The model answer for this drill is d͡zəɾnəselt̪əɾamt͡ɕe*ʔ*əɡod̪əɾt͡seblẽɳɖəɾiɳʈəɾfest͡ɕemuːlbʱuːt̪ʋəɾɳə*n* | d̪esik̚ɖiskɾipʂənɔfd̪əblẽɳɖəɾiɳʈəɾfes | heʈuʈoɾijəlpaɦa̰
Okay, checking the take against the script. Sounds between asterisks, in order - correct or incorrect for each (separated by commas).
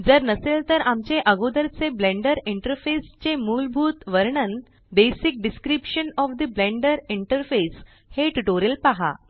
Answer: correct, correct